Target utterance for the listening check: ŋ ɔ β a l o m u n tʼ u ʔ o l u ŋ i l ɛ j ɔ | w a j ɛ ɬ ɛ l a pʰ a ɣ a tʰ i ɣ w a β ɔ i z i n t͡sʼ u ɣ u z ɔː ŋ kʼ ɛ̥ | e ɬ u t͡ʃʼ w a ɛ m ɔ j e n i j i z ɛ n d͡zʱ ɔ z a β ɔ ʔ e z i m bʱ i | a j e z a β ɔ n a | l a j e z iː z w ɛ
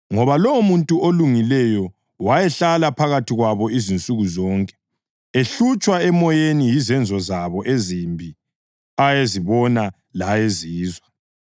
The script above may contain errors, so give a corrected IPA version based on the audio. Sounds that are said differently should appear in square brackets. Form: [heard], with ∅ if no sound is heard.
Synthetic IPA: ŋ ɔ β a l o m u n tʼ u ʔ o l u ŋ i l ɛ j ɔ | w a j ɛ ɬ [a] l a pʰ a ɣ a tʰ i ɣ w a β ɔ i z i n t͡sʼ u ɣ u z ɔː ŋ kʼ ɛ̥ | e ɬ u t͡ʃʼ w a ɛ m ɔ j e n i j i z ɛ n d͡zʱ ɔ z a β ɔ ʔ e z i m bʱ i | a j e z [i] β ɔ n a | l a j e z iː z w [a]